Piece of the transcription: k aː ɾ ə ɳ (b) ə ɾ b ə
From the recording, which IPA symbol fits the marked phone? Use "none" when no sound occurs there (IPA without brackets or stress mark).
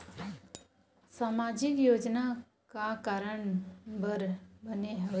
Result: b